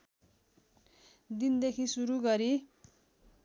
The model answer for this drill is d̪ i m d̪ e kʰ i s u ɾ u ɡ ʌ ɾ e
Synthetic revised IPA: d̪ i n d̪ e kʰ i s u ɾ u ɡ ʌ ɾ i

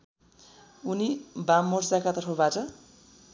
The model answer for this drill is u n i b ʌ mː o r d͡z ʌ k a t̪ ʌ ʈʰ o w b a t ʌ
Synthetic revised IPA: u n i b a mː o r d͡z a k a t̪ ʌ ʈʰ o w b a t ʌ

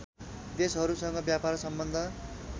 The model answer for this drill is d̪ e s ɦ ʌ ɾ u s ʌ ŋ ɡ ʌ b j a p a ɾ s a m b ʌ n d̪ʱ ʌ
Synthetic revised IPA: d̪ e s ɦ ʌ ɾ u s ʌ ŋ ɡ ʌ b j a p a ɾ s ʌ m b ʌ n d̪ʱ ʌ

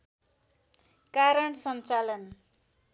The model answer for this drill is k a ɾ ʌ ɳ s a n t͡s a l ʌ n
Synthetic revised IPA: k a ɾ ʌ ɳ s ʌ n t͡s a l ʌ n

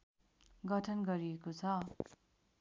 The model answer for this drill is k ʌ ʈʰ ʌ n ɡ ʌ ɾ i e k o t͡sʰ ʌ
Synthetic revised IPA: ɡ ʌ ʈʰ ʌ n ɡ ʌ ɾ i e k o t͡sʰ ʌ

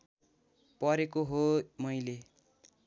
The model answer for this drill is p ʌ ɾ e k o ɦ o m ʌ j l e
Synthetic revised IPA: p ʌ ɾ e k o ɦ o m ʌ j l e

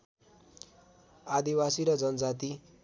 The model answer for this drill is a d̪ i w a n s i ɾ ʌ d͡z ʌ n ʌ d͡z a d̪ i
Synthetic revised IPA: a d̪ i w a s i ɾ ʌ d͡z ʌ n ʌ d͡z a t̪ i

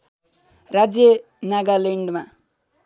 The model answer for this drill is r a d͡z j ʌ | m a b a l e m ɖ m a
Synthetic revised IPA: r a d͡z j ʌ | n a ɡ a l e ɳ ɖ m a

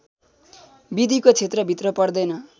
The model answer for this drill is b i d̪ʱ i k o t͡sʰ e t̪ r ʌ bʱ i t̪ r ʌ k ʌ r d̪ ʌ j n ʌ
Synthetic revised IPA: b i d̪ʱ i k o t͡sʰ e t̪ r ʌ bʱ i t̪ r ʌ p ʌ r d̪ ʌ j n ʌ

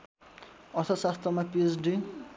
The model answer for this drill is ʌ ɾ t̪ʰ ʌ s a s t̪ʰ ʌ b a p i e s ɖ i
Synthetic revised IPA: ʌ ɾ t̪ʰ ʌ s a s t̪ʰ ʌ m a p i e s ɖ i

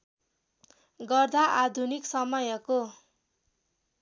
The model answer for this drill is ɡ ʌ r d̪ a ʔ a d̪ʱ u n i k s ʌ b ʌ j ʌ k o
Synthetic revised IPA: ɡ ʌ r d̪ a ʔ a d̪ʱ u n i k s ʌ m ʌ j ʌ k o

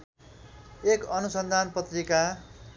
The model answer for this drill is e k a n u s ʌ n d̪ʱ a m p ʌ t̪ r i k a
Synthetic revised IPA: e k ʌ n u s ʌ n d̪ʱ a n p ʌ t̪ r i k a

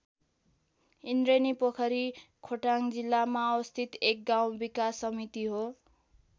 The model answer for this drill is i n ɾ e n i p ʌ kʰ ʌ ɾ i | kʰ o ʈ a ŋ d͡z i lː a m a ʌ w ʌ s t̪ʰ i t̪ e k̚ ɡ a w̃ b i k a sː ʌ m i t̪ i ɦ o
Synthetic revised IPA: i n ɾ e n i p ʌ kʰ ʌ ɾ i | kʰ o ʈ a ŋ d͡z i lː a m a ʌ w ʌ s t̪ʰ i t̪ e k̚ ɡ a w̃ b i k a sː ʌ m i t̪ i ɦ o

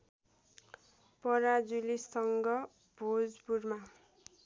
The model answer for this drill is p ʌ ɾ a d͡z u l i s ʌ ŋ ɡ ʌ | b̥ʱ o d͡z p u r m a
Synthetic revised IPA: p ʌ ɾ a d͡z u l i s ʌ ŋ ɡ ʌ | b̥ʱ o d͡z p u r m a

